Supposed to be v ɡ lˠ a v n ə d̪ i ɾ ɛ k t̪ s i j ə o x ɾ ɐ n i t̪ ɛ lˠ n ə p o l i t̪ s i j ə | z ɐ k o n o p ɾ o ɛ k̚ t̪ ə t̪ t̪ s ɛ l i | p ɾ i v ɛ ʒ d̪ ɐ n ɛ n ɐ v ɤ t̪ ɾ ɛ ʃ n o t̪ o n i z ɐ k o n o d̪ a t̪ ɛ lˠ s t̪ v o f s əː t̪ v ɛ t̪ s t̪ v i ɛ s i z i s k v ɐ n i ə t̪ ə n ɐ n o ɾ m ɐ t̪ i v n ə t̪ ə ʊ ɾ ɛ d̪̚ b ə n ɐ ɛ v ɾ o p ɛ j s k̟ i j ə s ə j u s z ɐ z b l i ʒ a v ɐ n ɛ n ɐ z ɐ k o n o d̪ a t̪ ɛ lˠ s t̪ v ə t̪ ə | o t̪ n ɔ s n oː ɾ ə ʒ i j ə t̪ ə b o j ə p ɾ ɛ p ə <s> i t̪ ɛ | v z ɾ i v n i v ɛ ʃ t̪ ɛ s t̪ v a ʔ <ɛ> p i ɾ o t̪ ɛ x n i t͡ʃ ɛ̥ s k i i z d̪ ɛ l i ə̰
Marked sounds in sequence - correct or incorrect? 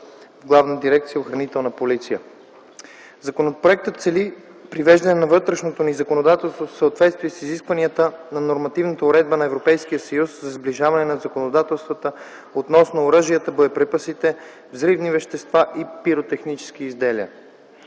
correct, incorrect

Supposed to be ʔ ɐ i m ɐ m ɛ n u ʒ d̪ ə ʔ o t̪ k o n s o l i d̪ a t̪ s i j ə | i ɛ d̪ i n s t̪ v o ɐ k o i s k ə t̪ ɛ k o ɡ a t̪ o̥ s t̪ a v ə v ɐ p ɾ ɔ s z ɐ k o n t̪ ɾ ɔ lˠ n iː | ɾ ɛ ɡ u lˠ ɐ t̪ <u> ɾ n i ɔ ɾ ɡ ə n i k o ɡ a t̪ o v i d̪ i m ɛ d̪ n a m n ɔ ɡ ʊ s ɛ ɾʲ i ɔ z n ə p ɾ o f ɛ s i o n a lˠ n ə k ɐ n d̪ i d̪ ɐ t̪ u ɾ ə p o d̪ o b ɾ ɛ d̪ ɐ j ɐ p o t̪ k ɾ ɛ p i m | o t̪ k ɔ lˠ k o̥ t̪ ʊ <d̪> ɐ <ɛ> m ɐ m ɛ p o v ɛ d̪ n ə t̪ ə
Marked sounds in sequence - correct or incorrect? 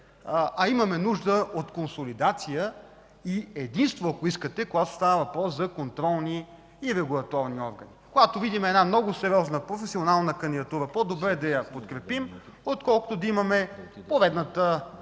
incorrect, correct, incorrect

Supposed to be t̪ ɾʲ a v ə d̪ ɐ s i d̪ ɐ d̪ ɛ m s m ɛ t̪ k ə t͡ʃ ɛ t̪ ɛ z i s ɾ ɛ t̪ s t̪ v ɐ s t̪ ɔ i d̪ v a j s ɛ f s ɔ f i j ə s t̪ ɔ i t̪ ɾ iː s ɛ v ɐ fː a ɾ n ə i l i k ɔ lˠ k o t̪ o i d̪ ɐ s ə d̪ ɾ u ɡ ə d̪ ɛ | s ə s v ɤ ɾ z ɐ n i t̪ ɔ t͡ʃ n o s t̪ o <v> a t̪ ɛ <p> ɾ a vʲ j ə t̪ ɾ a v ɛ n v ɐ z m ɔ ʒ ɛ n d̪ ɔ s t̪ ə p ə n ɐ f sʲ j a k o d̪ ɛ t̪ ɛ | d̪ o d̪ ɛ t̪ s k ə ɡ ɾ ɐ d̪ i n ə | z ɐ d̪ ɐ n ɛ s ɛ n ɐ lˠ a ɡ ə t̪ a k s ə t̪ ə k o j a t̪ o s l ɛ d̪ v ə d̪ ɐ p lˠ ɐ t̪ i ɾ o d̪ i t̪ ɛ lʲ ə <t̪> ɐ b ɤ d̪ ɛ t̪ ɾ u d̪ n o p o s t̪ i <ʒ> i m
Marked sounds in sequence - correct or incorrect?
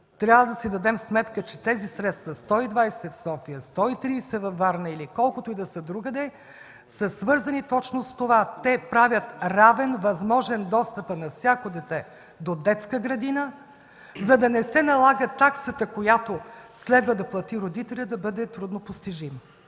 correct, correct, incorrect, correct

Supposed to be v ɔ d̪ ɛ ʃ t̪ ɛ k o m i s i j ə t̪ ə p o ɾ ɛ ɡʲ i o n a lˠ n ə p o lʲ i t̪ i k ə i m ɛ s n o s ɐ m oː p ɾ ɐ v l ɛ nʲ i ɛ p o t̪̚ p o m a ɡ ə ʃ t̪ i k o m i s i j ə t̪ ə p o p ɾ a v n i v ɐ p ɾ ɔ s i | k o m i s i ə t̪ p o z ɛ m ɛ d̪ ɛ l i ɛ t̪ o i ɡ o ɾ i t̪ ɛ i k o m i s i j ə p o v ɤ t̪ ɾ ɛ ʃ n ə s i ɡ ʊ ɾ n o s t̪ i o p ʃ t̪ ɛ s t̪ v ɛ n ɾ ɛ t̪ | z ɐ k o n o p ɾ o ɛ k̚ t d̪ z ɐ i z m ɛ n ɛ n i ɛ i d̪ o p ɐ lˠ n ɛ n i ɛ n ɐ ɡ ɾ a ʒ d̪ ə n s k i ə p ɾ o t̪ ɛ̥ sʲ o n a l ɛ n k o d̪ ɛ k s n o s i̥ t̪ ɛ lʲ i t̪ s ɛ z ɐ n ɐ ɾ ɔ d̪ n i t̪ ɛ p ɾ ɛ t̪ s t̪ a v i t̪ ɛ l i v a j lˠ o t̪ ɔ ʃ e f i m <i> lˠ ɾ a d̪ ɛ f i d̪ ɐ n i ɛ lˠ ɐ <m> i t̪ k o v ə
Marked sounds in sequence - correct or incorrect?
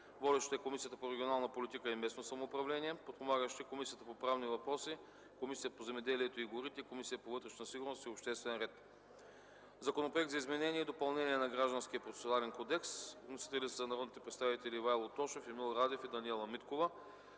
correct, correct

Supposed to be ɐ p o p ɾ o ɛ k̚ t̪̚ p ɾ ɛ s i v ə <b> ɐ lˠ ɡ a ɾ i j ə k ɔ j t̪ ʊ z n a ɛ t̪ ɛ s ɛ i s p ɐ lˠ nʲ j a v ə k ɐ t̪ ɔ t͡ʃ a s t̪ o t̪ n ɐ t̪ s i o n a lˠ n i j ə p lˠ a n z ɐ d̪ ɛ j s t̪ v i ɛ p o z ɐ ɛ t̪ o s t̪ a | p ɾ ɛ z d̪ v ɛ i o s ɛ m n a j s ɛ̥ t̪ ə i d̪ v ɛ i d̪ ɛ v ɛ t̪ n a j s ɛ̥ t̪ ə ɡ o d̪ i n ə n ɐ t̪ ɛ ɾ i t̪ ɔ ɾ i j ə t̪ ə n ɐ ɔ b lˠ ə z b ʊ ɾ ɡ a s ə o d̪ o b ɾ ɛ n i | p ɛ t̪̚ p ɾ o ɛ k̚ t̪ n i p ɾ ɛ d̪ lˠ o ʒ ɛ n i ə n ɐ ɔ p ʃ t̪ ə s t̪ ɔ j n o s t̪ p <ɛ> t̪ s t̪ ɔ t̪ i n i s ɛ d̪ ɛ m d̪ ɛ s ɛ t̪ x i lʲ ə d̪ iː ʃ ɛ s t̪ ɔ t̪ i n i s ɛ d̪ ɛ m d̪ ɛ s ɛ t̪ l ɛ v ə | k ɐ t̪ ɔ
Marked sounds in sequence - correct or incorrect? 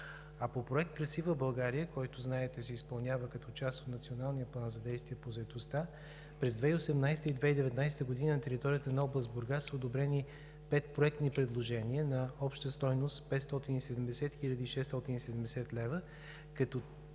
correct, correct

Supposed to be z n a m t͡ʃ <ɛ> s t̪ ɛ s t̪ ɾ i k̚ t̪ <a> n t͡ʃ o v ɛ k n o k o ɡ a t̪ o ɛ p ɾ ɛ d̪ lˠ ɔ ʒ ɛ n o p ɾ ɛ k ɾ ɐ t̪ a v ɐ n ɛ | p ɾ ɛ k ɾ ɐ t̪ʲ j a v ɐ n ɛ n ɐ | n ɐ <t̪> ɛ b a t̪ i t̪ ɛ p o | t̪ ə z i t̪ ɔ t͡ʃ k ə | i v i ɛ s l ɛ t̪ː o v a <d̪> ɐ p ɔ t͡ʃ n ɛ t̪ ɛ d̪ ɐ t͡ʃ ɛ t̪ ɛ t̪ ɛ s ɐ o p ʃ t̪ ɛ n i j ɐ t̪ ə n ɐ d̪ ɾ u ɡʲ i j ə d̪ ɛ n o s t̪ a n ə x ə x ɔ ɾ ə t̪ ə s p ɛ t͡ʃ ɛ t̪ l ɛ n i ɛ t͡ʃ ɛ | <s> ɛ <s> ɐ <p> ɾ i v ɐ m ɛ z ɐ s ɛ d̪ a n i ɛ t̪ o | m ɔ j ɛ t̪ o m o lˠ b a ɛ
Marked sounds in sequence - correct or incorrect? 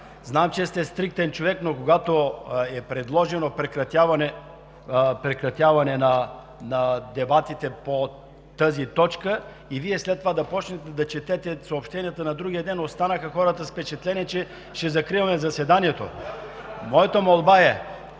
correct, incorrect, incorrect, correct, incorrect, incorrect, incorrect

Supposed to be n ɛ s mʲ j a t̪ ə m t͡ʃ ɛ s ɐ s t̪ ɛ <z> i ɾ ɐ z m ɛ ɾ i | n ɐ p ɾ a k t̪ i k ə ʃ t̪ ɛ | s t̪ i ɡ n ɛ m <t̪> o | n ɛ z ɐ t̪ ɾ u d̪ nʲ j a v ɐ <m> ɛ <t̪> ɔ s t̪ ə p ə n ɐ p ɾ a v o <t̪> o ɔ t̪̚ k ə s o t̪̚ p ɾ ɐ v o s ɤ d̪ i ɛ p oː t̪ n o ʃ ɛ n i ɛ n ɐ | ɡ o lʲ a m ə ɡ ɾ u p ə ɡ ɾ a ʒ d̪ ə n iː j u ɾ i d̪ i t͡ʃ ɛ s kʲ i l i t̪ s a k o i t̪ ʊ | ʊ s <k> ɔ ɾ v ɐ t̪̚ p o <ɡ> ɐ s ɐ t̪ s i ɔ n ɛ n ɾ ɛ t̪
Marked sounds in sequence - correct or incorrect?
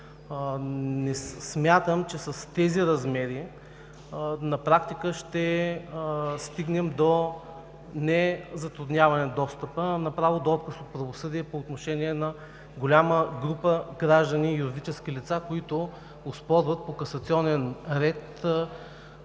correct, incorrect, incorrect, incorrect, incorrect, incorrect, incorrect

